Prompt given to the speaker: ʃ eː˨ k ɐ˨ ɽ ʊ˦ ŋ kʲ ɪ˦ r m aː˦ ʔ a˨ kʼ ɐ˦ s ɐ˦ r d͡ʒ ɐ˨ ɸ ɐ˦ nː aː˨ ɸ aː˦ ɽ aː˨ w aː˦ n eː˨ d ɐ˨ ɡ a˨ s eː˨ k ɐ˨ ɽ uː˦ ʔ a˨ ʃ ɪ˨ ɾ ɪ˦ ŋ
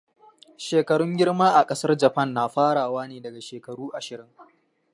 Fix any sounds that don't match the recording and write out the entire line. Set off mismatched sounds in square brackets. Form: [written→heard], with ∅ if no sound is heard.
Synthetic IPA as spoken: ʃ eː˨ k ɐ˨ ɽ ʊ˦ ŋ [kʲ→ɡʲ] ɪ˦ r m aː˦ ʔ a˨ kʼ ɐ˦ s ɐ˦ r d͡ʒ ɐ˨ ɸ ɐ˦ nː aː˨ ɸ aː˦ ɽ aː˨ w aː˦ n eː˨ d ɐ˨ ɡ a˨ [s→ʃ] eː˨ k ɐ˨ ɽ uː˦ ʔ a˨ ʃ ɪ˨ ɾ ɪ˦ ŋ

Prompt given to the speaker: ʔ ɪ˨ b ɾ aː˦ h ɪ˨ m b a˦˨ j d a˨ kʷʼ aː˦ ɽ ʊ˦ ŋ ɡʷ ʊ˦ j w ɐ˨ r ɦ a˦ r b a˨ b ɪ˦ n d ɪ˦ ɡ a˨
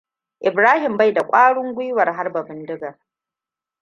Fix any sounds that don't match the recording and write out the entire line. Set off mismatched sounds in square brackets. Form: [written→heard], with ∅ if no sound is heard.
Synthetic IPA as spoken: ʔ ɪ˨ b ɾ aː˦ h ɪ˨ m b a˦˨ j d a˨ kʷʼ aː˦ ɽ ʊ˦ ŋ ɡʷ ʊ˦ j w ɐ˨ r ɦ a˦ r b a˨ b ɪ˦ n d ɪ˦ ɡ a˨

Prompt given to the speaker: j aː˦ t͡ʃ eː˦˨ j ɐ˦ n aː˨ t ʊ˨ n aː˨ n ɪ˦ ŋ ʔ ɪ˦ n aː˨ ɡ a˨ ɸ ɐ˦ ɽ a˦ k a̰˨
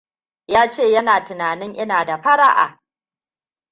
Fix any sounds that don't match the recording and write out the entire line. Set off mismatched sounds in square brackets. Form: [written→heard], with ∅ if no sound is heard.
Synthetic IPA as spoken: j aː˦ t͡ʃ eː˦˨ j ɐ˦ n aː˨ t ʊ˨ n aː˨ n ɪ˦ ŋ ʔ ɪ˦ n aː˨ [ɡ→d] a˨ ɸ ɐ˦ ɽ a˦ [k→ʔ] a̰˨

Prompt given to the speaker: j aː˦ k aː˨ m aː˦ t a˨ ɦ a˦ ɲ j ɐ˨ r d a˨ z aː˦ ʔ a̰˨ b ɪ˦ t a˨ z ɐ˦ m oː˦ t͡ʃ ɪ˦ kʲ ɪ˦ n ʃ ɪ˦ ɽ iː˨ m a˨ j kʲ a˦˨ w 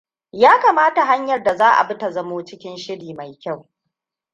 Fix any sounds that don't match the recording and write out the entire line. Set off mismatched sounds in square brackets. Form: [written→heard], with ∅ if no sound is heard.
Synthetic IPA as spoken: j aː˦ k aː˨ m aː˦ t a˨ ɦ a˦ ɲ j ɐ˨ r d a˨ z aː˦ ʔ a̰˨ b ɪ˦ t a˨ z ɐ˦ m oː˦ t͡ʃ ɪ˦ kʲ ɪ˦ n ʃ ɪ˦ ɽ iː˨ m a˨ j kʲ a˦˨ w

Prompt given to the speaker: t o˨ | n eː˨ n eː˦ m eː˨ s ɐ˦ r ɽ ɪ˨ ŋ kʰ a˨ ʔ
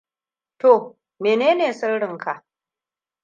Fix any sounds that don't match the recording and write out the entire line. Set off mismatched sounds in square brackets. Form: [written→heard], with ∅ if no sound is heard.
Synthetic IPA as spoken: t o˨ | [n→m] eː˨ n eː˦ [m→n] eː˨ s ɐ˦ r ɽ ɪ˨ ŋ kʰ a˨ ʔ

